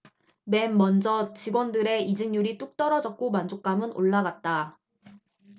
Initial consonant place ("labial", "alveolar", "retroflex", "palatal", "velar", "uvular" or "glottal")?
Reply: labial